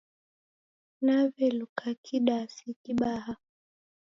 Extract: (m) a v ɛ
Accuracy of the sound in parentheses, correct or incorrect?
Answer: incorrect